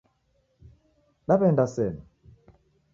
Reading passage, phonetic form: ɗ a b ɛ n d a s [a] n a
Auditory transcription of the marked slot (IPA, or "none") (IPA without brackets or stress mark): ɛ